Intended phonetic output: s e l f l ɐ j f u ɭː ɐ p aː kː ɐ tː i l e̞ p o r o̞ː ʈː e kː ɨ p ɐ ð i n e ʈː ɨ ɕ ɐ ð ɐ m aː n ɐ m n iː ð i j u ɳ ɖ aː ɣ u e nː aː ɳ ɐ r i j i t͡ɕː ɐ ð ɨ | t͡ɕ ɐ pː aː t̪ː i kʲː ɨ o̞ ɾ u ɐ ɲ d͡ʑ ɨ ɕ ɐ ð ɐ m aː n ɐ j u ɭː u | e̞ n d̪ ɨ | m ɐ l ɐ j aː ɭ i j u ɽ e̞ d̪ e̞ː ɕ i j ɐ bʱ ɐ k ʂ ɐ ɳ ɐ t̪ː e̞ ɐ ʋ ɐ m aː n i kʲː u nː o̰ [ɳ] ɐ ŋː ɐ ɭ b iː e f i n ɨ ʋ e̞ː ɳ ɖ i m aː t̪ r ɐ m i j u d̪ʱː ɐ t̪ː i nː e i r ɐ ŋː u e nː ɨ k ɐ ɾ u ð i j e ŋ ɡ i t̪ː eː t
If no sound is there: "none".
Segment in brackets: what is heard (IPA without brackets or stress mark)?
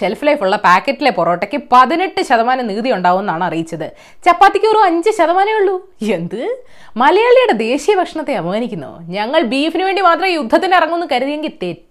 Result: ɲ